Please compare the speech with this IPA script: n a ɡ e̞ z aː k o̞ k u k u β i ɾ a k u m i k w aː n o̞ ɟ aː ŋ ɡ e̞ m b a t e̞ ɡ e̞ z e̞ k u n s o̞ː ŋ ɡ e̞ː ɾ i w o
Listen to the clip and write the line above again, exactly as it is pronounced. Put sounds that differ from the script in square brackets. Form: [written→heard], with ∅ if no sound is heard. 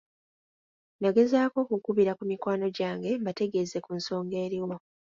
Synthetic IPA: n a ɡ e̞ z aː k o̞ k u k u β i ɾ a k u m i k w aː n o̞ ɟ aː ŋ ɡ e̞ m b a t e̞ ɡ e̞ z e̞ k u n s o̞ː ŋ ɡ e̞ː ɾ i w o